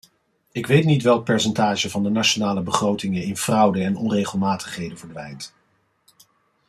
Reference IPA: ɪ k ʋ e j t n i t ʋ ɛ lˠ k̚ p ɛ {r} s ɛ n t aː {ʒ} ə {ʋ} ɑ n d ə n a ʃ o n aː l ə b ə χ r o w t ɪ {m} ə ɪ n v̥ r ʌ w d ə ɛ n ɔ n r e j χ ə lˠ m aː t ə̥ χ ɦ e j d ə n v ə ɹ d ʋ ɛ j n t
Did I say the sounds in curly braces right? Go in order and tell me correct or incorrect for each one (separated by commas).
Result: incorrect, correct, incorrect, incorrect